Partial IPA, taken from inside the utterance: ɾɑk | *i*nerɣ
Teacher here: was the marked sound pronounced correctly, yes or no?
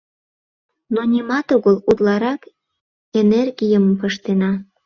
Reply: no